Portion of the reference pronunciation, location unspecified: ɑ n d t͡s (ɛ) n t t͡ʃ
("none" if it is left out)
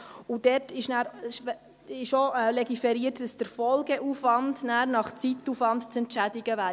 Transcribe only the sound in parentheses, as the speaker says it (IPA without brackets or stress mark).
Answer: ɛ